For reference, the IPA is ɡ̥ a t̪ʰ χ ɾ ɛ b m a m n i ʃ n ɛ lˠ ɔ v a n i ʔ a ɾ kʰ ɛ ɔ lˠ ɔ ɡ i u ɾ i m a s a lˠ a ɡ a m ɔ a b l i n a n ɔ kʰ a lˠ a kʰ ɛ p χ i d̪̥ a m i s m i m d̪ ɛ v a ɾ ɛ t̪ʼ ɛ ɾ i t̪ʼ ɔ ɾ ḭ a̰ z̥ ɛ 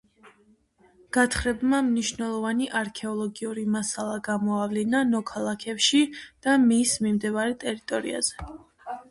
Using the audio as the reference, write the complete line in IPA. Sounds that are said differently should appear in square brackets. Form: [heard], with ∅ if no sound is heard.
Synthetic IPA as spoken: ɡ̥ a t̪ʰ χ ɾ ɛ b m a m n i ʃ n ɛ lˠ ɔ v a n i ʔ a ɾ kʰ ɛ ɔ lˠ ɔ ɡ i u ɾ i m a s a lˠ a ɡ a m ɔ a [v] l i n a n ɔ kʰ a lˠ a kʰ ɛ p [ʃ] i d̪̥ a m i s m i m d̪ ɛ v a ɾ ɛ t̪ʼ ɛ ɾ i t̪ʼ ɔ ɾ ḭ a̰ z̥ ɛ